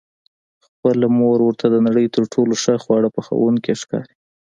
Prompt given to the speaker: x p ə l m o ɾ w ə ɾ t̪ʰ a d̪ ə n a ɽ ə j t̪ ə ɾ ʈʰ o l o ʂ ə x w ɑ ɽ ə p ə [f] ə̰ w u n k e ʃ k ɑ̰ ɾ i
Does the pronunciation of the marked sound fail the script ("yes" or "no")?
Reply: yes